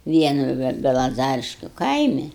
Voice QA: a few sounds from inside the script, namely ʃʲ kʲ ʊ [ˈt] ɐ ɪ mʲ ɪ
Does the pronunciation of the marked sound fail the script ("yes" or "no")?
yes